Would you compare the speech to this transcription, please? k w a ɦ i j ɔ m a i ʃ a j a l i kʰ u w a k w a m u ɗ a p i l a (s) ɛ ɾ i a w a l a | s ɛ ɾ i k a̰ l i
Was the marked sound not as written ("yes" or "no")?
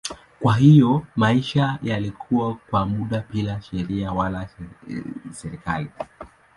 yes